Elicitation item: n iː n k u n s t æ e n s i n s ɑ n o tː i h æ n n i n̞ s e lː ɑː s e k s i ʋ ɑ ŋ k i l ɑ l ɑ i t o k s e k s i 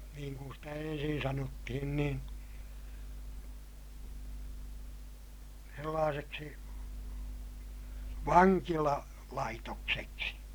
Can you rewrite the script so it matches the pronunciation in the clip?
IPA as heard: n iː ŋ k u n s t æ e n s i n s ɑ n o tː i h i n n i n̞ s e lː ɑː s e k s i ʋ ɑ ŋ k i l ɑ l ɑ i t o k s e k s i